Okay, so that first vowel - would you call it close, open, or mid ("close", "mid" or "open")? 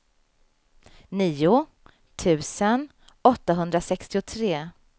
close